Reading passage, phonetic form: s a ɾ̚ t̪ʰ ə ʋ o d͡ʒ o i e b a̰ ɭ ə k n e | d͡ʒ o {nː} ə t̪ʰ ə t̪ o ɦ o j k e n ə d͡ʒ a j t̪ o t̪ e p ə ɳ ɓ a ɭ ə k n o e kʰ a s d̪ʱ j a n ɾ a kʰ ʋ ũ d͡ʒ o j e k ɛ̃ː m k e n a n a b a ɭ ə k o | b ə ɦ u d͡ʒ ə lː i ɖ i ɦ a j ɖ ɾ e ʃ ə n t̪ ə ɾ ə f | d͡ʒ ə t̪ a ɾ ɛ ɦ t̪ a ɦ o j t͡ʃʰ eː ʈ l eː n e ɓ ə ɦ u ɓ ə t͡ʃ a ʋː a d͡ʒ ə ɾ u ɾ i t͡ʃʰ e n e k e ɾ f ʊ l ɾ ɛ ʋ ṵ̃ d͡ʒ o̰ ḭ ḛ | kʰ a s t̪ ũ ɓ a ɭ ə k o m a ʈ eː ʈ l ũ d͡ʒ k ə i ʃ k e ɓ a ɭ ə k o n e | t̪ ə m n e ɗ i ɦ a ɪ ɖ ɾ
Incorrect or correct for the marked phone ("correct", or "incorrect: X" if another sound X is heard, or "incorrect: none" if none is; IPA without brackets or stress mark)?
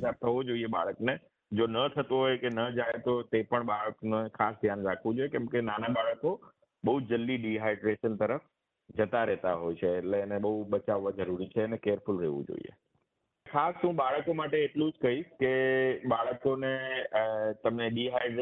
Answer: incorrect: n